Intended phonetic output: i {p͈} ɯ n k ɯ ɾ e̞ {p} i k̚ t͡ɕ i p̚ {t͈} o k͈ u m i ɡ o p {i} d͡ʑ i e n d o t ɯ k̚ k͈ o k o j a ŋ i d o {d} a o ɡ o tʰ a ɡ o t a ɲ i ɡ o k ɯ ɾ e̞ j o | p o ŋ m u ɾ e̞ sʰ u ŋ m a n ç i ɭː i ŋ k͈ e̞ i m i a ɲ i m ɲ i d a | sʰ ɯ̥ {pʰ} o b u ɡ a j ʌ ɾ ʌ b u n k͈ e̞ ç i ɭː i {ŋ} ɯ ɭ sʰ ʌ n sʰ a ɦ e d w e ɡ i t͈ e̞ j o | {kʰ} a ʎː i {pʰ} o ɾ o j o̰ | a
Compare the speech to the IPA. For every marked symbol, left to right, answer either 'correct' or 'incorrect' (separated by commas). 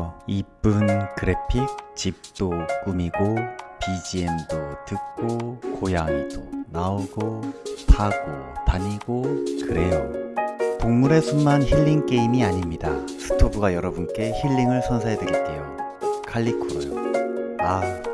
correct, incorrect, correct, correct, incorrect, incorrect, correct, correct, incorrect